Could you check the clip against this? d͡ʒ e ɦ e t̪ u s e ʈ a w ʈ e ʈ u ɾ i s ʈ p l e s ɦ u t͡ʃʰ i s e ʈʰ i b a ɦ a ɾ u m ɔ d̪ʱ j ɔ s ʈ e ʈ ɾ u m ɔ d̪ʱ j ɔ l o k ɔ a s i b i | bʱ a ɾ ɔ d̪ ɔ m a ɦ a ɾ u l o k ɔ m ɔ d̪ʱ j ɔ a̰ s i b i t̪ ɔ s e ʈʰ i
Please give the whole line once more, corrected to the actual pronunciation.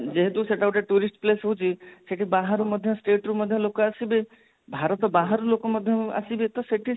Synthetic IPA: d͡ʒ e ɦ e t̪ u s e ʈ a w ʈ e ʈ u ɾ i s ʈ p l e s ɦ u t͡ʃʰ i s e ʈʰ i b a ɦ a ɾ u m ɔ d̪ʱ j ɔ s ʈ e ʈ ɾ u m ɔ d̪ʱ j ɔ l o k ɔ a s i b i | bʱ a ɾ ɔ t̪ ɔ b a ɦ a ɾ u l o k ɔ m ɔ d̪ʱ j ɔ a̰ s i b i t̪ ɔ s e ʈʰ i